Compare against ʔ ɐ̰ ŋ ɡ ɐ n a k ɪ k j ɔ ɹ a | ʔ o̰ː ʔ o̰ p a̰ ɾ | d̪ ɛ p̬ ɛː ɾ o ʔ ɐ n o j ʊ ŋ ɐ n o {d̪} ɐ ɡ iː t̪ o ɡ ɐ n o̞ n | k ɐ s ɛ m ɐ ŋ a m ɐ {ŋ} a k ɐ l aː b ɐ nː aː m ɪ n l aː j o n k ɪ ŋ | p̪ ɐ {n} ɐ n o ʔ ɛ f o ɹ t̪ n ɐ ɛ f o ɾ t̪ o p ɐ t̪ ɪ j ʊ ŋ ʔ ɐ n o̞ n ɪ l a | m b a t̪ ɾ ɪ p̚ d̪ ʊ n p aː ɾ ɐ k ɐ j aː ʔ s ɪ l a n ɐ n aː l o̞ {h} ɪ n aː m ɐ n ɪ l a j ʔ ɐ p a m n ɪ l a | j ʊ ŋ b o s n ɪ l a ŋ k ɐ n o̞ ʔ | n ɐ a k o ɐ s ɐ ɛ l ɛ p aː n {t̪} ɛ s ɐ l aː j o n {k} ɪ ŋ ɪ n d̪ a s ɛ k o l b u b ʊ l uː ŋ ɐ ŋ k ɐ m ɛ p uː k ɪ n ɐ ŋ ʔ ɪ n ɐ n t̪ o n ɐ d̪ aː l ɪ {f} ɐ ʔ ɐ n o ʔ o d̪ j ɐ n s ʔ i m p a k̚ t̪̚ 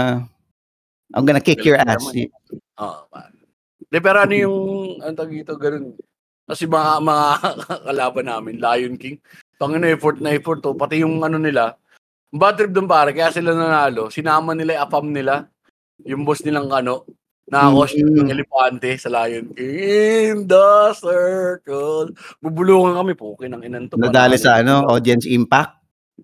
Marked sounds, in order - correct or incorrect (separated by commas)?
incorrect, correct, incorrect, incorrect, correct, correct, incorrect